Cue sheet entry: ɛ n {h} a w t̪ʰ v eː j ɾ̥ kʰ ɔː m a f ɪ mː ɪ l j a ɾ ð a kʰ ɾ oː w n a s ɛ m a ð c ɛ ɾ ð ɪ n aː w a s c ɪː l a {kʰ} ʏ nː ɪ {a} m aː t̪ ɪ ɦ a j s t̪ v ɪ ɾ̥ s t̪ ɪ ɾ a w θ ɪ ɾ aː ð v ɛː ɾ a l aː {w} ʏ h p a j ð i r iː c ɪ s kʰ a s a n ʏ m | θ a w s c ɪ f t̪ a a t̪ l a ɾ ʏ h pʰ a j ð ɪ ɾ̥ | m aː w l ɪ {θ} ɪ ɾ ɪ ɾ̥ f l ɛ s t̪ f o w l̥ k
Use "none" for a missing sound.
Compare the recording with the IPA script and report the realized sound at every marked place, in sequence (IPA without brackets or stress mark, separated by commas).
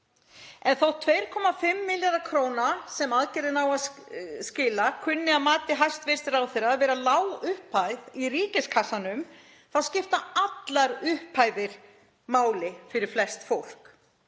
θ, kʰ, a, w, f